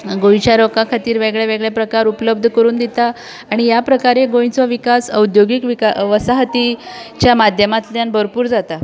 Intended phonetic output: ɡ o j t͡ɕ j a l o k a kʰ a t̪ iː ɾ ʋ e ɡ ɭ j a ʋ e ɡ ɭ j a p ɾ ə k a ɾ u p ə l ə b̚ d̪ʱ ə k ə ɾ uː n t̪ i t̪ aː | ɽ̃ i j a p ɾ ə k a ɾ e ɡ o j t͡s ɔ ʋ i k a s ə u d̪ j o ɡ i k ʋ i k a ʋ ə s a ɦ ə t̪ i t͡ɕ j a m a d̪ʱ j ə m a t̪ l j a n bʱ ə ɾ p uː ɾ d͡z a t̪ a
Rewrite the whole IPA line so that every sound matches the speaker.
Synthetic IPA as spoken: ɡ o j t͡ɕ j a ɾ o k a kʰ a t̪ iː ɾ ʋ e ɡ ɭ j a ʋ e ɡ ɭ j a p ɾ ə k a ɾ u p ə l ə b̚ d̪ʱ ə k ə ɾ uː n d̪ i t̪ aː | ɽ̃ i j a p ɾ ə k a ɾ e ɡ o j t͡s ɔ ʋ i k a s ə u d̪ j o ɡ i k ʋ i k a ʋ ə s a ɦ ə t̪ i t͡ɕ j a m a d̪ʱ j ə m a t̪ l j a n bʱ ə ɾ p uː ɾ d͡z a t̪ a